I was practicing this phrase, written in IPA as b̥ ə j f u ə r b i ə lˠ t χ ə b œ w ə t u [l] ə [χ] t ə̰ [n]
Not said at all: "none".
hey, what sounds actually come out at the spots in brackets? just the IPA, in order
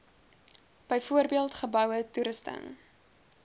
ɾ, s, ŋ

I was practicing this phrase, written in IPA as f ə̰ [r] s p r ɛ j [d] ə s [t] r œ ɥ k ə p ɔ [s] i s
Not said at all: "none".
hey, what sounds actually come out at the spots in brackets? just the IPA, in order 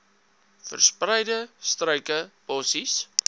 r, d, t, s

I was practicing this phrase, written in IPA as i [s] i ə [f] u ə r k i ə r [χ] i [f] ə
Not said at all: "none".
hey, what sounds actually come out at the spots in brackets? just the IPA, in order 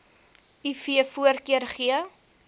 f, f, χ, none

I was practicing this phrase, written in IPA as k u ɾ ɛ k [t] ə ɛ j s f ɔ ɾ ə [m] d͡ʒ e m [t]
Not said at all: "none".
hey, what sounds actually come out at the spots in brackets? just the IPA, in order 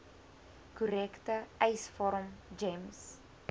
t, m, s

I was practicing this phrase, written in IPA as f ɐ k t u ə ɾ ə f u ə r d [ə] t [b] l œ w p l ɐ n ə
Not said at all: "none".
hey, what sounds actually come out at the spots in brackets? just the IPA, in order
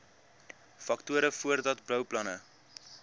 ɐ, b

